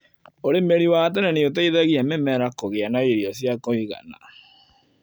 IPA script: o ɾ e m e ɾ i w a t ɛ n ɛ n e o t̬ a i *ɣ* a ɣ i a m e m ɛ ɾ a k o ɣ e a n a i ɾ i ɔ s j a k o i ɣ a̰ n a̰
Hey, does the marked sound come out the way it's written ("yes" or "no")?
no